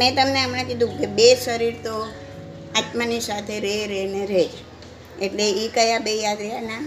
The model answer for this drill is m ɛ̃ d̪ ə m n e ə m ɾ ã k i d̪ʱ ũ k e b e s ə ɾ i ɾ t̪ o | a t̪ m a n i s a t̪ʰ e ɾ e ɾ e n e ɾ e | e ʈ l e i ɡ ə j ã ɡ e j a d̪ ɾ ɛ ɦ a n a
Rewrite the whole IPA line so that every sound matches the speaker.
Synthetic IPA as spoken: m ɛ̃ t̪ ə m n e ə m ɾ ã k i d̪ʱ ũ k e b e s ə ɾ i ɾ t̪ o | a t̪ m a n i s a t̪ʰ e ɾ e ɾ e n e ɾ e | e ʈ l e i k ə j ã b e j a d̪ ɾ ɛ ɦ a n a